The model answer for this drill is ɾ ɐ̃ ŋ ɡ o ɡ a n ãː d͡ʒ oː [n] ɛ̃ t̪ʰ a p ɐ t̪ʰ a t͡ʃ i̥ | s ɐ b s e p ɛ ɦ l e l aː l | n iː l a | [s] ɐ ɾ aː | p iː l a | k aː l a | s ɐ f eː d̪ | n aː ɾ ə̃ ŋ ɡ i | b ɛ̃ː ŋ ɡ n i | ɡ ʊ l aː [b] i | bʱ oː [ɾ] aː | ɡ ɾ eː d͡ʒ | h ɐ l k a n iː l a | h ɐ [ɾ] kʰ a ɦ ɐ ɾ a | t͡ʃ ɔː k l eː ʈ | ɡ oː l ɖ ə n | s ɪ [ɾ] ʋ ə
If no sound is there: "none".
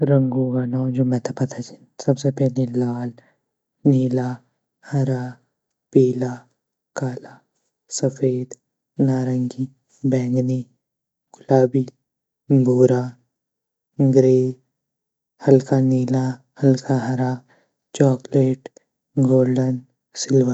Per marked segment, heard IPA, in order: m, h, b, ɾ, l, l

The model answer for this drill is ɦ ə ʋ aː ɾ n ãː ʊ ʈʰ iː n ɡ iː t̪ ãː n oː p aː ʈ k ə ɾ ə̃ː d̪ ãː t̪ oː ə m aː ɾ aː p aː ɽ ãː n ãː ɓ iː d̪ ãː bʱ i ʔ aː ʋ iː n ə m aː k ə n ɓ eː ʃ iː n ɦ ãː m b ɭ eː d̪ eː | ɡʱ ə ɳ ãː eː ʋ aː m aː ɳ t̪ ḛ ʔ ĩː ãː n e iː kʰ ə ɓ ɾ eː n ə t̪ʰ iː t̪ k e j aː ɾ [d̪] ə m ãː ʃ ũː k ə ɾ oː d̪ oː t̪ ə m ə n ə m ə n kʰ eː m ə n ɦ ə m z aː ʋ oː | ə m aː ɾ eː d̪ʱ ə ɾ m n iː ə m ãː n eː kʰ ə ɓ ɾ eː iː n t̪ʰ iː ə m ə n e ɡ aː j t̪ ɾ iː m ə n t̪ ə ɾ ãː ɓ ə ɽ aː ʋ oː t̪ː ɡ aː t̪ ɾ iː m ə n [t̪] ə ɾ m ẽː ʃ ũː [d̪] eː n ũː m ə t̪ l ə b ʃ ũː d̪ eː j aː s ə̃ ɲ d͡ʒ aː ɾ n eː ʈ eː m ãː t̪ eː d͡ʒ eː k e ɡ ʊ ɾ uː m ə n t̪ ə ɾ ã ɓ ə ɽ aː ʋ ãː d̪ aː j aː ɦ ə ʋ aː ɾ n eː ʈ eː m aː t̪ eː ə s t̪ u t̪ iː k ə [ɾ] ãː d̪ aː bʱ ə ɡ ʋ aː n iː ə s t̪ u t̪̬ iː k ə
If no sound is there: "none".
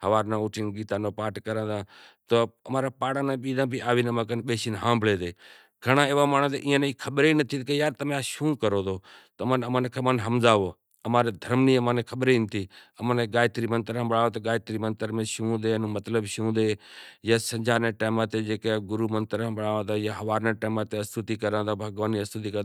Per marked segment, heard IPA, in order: t̪, t̪, d̪, ɾ

